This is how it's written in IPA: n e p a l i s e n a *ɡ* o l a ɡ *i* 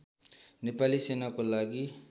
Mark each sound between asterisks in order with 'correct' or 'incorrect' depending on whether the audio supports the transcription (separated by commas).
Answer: incorrect, correct